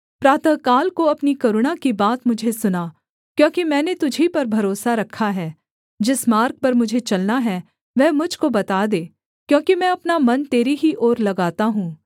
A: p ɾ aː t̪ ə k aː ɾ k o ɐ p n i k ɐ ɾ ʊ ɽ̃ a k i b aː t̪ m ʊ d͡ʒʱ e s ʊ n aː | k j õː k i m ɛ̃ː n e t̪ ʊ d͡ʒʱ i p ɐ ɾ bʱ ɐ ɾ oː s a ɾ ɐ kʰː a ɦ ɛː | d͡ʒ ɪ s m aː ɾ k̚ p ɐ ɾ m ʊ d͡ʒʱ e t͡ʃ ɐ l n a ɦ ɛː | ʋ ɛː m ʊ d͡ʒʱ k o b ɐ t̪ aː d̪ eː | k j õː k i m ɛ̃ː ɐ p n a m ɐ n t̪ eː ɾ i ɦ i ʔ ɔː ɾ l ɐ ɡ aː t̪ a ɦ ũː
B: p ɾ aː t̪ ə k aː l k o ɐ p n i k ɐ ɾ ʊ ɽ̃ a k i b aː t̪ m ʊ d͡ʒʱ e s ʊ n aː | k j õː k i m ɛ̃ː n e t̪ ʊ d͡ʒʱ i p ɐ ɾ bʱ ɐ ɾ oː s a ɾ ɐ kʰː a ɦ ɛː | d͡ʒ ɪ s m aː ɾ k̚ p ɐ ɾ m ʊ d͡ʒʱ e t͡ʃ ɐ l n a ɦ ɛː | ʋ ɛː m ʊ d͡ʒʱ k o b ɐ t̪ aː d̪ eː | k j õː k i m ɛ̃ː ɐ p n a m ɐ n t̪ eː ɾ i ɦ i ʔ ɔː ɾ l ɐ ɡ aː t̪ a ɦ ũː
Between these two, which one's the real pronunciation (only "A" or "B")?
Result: B